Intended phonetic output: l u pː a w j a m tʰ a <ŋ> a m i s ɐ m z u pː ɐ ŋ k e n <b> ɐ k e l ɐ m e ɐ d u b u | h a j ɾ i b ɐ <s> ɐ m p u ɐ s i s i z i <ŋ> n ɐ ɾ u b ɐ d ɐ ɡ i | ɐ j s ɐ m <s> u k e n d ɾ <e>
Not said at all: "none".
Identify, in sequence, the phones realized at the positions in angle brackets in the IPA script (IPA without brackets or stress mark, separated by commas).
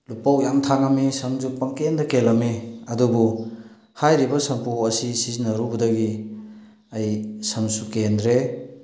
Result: ŋ, d, s, none, s, e